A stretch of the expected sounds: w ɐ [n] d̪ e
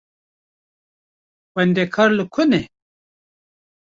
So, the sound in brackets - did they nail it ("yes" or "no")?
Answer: yes